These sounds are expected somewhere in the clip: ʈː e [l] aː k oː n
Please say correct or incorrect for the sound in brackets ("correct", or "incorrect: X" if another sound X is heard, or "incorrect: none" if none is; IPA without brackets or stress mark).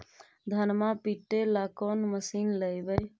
correct